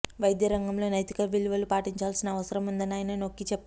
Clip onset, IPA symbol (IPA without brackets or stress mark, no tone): ʋ